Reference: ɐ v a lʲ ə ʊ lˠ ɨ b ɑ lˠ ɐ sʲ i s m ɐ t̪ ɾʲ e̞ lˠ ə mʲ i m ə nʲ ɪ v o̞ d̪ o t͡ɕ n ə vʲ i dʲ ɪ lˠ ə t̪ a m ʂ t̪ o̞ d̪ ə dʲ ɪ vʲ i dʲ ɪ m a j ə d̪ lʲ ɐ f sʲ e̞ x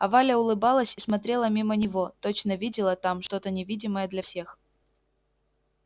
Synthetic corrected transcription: ɐ v a lʲ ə ʊ lˠ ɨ b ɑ lˠ ə sʲ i s m ɐ t̪ ɾʲ e̞ lˠ ə mʲ i m ə nʲ ɪ v o̞ t̪ o t͡ɕ n ə vʲ i dʲ ɪ lˠ ə t̪ a m ʂ t̪ o̞ t̪ ə nʲ ɪ vʲ i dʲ ɪ m ə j ə d̪ lʲ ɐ f sʲ e̞ x